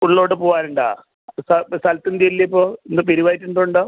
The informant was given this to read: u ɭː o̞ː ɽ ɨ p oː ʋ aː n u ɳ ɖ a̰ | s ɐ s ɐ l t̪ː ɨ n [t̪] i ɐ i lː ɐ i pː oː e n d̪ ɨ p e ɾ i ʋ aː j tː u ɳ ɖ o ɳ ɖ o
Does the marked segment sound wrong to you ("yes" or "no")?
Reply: yes